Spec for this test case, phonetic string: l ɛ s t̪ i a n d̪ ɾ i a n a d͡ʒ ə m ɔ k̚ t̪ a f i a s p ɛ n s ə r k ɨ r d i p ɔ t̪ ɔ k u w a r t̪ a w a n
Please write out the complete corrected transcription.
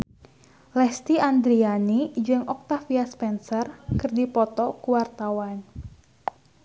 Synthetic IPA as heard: l ɛ s t̪ i a n d̪ ɾ i a n i d͡ʒ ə ŋ ɔ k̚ t̪ a f i a s p ɛ n s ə r k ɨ r d i p ɔ t̪ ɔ k u w a r t̪ a w a n